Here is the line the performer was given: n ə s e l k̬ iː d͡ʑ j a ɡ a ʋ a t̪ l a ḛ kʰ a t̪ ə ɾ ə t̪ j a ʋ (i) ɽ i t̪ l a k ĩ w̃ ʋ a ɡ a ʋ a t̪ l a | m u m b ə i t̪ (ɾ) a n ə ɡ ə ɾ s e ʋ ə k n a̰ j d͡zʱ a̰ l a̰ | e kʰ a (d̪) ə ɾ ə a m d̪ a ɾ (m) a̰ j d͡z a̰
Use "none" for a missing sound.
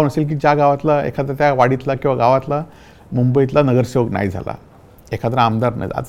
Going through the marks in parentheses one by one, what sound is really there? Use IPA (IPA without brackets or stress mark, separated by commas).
a, l, t̪, n